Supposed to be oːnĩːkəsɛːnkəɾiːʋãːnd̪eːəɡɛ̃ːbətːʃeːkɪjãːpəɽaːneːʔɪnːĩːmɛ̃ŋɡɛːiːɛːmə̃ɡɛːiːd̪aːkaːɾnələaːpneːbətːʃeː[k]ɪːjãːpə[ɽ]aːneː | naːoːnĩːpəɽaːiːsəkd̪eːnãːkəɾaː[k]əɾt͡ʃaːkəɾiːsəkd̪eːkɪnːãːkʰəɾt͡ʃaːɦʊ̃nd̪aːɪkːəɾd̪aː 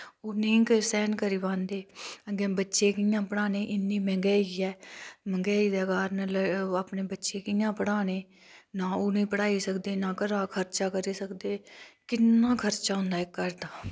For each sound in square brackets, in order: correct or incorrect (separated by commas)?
correct, correct, incorrect